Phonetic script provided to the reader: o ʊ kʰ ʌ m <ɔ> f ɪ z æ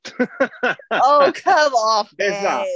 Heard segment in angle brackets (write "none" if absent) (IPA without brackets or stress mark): ɔ